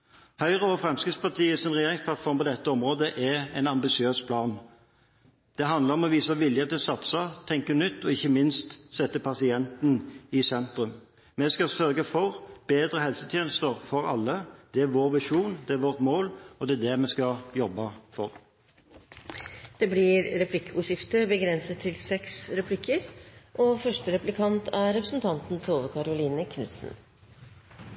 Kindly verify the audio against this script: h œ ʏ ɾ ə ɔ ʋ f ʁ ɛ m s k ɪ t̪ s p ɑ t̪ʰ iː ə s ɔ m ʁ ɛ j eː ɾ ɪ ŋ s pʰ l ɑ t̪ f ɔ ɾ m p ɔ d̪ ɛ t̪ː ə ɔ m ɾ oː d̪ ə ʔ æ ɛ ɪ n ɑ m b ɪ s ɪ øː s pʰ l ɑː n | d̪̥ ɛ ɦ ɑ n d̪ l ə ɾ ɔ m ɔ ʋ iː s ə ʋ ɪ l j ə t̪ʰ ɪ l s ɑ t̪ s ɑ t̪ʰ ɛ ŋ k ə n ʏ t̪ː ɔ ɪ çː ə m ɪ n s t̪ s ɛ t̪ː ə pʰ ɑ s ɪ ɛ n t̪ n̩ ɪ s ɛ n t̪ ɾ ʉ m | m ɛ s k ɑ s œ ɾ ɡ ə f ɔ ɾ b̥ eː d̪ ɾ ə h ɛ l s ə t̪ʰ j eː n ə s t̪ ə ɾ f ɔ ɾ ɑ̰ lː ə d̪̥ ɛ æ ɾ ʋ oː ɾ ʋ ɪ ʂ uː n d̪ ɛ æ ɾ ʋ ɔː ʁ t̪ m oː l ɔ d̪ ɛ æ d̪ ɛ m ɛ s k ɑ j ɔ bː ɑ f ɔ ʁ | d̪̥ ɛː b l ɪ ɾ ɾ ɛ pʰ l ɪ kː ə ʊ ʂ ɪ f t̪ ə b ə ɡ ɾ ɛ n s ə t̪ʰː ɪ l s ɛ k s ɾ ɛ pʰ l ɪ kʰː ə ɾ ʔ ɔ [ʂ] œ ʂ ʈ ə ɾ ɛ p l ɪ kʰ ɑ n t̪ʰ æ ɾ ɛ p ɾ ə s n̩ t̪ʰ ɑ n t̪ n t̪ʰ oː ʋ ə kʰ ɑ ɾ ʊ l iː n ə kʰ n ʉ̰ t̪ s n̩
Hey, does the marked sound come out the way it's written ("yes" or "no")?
no